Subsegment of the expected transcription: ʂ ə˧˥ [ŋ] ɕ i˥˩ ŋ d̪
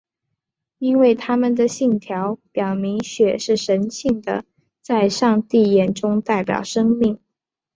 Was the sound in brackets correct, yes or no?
no